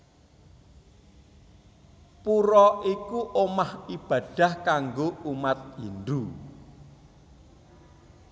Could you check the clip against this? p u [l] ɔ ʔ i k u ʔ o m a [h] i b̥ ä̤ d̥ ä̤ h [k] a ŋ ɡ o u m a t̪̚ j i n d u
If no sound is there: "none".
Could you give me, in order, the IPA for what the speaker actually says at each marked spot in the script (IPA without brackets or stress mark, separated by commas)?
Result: ɾ, h, k